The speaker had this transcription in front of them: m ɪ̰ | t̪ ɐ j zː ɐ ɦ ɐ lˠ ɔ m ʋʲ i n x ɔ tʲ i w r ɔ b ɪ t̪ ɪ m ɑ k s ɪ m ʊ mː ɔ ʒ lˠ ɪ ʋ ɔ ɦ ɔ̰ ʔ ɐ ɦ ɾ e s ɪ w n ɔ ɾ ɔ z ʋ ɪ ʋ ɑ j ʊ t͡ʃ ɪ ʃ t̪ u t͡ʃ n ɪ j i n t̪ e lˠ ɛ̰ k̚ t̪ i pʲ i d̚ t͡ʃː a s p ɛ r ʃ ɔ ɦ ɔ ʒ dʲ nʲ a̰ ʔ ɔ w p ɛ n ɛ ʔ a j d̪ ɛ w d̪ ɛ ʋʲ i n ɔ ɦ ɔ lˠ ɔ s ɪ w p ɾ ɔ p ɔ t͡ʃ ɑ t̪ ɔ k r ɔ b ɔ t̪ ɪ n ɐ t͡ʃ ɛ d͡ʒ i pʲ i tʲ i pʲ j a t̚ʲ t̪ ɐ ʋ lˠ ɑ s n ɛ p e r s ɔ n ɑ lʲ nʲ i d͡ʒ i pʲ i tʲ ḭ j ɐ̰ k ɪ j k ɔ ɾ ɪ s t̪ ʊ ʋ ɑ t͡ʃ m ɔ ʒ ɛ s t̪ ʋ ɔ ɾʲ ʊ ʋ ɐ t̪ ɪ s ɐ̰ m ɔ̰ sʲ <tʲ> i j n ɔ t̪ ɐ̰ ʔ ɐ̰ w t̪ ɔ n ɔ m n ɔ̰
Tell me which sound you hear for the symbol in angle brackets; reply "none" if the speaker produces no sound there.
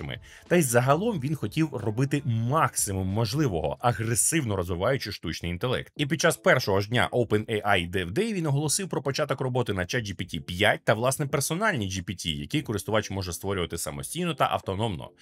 tʲ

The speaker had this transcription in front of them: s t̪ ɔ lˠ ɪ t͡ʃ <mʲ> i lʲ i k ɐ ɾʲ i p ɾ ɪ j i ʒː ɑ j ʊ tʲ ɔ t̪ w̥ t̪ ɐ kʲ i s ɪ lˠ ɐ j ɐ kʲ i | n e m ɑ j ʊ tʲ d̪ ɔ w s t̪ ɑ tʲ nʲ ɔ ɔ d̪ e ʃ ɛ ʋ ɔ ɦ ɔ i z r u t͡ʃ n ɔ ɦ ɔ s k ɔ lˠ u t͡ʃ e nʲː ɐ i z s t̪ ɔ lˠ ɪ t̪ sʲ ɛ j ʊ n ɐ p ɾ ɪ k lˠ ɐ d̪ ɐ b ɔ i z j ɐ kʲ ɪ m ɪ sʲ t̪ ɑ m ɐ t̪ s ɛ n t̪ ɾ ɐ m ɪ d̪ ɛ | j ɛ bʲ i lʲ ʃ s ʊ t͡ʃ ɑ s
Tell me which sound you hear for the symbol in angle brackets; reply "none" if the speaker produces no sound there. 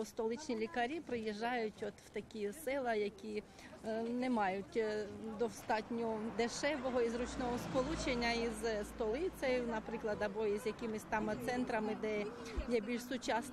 nʲ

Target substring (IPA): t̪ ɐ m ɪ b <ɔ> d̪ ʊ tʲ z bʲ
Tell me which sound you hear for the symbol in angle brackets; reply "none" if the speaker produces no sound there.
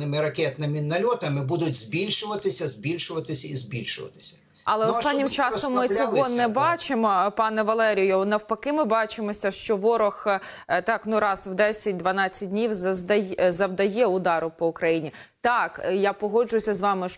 u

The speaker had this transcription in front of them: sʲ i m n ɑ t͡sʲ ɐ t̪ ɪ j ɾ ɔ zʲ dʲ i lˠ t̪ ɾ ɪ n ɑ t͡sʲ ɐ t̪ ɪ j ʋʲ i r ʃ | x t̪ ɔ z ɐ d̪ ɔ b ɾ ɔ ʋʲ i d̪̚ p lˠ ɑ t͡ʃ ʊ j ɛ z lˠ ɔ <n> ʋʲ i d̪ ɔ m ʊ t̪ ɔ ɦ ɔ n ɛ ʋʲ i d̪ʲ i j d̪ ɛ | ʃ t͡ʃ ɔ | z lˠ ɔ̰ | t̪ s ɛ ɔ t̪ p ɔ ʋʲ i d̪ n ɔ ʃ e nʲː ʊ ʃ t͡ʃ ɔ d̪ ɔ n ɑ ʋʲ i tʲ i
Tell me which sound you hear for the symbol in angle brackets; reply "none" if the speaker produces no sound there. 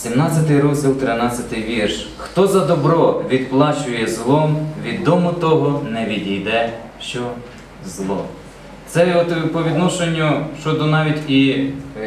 m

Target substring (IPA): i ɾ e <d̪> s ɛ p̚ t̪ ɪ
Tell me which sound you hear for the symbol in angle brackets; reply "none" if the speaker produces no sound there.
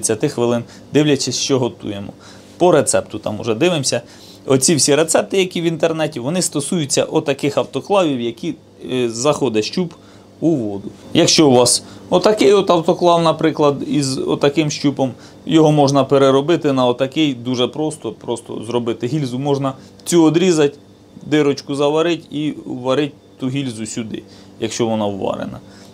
t̪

